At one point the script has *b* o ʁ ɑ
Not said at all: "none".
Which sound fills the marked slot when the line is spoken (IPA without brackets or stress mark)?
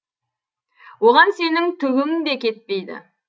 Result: w